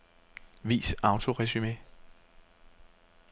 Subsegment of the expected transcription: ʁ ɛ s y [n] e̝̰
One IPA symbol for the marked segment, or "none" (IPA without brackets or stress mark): m